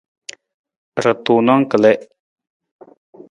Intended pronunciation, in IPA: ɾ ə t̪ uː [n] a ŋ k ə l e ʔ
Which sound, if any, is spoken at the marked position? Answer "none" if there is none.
n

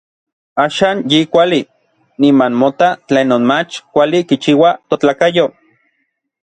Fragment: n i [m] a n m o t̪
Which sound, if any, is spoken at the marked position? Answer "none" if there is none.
m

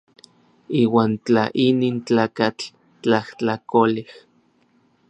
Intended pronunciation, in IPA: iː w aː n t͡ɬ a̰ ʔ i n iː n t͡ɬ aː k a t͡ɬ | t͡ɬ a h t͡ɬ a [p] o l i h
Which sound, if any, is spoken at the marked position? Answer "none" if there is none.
k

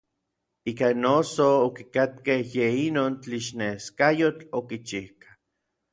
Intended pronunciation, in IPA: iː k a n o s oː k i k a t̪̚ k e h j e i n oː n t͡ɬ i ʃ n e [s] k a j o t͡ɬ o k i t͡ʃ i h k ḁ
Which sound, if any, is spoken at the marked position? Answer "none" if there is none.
s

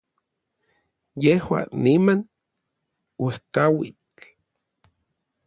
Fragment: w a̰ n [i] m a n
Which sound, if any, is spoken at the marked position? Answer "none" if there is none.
i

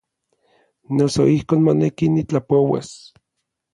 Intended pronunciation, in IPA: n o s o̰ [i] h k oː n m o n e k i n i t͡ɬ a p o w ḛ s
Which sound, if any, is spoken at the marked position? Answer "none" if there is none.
i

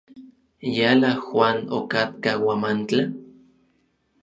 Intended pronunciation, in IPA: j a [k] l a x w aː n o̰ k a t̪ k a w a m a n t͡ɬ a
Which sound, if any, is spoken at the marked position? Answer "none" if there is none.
none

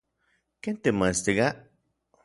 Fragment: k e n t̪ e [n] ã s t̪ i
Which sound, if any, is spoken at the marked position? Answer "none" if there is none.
m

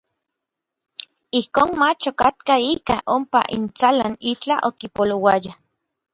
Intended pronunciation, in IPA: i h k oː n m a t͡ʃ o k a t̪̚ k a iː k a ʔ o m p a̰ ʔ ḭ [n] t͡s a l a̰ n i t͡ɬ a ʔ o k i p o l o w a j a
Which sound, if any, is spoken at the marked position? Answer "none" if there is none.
n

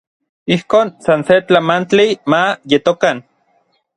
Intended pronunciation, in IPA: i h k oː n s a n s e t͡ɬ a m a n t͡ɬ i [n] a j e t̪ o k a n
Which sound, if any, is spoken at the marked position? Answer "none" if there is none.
m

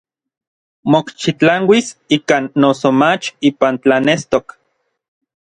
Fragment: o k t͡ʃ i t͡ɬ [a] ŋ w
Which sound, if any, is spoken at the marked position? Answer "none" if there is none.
a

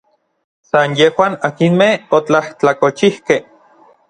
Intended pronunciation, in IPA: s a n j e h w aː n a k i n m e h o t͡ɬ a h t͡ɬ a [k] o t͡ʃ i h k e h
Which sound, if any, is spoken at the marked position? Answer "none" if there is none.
k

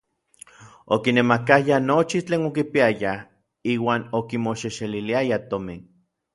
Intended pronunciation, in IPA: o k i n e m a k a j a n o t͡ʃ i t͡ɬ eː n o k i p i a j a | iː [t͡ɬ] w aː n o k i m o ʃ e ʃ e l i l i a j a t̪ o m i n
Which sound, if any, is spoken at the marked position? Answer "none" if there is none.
none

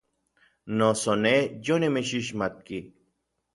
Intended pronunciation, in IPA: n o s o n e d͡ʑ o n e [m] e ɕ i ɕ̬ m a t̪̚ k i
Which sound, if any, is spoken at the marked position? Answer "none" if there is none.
m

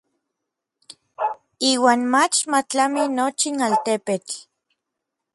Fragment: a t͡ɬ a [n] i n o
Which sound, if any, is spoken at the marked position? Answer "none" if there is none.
m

